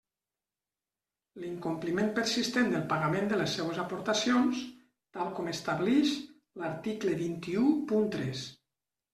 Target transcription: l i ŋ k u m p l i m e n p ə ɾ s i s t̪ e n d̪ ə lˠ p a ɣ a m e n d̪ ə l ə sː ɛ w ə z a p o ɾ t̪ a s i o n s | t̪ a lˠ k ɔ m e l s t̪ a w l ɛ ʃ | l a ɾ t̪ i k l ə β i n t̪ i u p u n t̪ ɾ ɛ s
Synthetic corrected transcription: l i ŋ k u m p l i m e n p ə ɾ s i s t̪ e n d̪ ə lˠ p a ɣ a m e n d̪ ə l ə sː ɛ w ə z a p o ɾ t̪ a s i o n s | t̪ a lˠ k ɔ m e s t̪ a β l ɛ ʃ | l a ɾ t̪ i k l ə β i n t̪ i u p u n t̪ ɾ ɛ s